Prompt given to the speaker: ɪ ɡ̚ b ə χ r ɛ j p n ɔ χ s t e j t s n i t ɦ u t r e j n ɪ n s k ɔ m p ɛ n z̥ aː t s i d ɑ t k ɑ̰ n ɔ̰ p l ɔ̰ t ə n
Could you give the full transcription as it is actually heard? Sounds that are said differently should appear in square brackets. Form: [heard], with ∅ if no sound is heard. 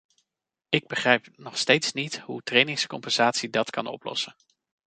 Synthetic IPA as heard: ɪ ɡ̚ b ə χ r ɛ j p n ɔ χ s t e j t s n i t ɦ u t r e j n ɪ [ŋ] s k ɔ m p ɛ n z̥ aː t s i d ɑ t k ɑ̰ n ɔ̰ p l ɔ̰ [s] ə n